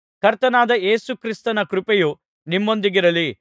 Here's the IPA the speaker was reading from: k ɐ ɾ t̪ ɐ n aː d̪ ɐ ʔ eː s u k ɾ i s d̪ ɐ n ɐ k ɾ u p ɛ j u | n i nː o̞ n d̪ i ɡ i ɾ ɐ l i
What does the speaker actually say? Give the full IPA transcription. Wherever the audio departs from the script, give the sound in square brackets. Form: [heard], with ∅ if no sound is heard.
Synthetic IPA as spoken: k ɐ ɾ t̪ ɐ n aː d̪ ɐ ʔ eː s u k ɾ i s [t̪] ɐ n ɐ k ɾ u p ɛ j u | n i [mː] o̞ n d̪ i ɡ i ɾ ɐ l i